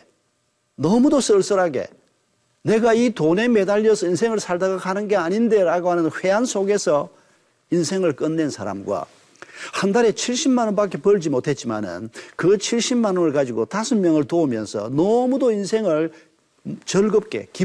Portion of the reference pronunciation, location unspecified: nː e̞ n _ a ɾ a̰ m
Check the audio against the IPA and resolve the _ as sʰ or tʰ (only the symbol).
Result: sʰ